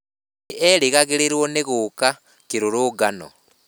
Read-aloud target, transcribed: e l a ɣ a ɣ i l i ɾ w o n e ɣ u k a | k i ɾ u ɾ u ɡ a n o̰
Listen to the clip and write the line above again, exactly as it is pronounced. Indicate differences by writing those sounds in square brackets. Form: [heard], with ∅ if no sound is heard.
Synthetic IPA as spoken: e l [i] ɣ a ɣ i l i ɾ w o n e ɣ u k a | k i ɾ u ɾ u ɡ a n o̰